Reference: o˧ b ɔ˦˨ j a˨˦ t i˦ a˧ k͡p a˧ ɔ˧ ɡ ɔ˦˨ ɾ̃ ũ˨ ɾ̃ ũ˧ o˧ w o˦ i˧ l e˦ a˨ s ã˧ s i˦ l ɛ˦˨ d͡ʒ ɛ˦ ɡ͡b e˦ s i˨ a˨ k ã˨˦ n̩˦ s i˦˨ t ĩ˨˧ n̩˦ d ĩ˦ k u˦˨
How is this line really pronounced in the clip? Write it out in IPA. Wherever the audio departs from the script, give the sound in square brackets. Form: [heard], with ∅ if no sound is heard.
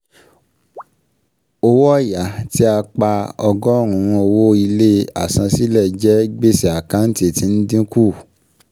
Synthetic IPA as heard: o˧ [w] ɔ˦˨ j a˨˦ t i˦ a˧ k͡p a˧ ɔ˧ ɡ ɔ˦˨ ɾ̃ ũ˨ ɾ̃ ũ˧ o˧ w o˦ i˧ l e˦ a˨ s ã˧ s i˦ l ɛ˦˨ d͡ʒ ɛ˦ ɡ͡b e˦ s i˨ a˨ k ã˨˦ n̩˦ [t] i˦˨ t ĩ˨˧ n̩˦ d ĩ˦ k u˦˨